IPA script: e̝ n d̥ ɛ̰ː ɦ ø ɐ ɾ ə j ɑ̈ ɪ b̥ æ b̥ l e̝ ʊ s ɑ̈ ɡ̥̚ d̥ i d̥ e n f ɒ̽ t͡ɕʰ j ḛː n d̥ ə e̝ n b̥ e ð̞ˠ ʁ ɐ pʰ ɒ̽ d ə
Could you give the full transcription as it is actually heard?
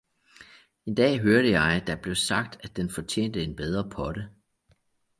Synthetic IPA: e̝ n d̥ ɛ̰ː ɦ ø ɐ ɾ ə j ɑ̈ ɪ d̥ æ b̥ l e̝ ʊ s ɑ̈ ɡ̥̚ d̥ æ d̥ e n f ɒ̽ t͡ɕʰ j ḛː n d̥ ə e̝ n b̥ e ð̞ˠ ʁ ɐ pʰ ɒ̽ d ə